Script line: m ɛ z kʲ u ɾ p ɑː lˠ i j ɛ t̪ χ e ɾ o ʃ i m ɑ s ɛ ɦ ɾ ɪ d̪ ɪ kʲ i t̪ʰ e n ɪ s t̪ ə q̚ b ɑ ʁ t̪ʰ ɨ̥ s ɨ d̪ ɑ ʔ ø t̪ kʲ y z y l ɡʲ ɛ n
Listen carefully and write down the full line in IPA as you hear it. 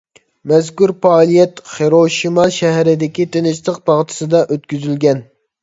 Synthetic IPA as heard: m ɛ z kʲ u ɾ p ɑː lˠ i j ɛ t̪ χ e ɾ o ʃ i m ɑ ʃ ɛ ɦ ɾ ɪ d̪ ɪ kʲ i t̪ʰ e n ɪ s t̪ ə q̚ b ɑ ʁ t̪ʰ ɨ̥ s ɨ d̪ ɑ ʔ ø t̪ kʲ y z y l ɡʲ ɛ n